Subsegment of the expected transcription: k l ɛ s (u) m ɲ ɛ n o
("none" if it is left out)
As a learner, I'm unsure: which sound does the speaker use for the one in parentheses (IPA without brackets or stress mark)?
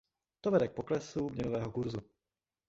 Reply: u